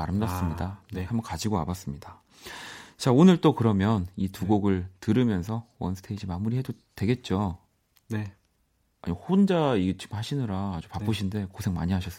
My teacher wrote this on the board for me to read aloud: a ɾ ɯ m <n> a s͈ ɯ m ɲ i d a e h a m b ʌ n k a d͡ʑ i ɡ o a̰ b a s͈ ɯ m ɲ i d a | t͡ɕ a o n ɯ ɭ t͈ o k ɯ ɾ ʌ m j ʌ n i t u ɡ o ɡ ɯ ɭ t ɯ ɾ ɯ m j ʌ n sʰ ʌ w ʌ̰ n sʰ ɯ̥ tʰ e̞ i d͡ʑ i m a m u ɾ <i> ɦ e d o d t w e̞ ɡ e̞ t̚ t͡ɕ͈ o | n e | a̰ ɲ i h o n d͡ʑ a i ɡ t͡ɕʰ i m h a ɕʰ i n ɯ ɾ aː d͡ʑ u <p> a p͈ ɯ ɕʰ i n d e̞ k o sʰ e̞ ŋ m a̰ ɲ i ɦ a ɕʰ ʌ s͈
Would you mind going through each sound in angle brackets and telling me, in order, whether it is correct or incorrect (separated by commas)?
incorrect, correct, correct